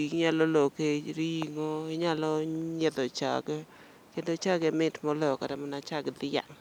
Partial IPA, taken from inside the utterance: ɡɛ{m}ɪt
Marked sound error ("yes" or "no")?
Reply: no